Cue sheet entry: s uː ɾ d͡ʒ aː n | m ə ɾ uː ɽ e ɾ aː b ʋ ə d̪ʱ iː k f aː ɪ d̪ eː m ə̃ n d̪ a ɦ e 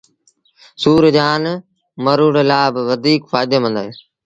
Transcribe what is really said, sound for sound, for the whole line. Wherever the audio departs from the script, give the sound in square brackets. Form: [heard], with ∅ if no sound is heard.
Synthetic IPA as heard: s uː ɾ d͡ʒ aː n | m ə ɾ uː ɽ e [l] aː b ʋ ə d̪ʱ iː k f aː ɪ d̪ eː m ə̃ n d̪ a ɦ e